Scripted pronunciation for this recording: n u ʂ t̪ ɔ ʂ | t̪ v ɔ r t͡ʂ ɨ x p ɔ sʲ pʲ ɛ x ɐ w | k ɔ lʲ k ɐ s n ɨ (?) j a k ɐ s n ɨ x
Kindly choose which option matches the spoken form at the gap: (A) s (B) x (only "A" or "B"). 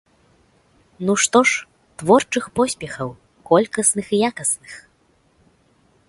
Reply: B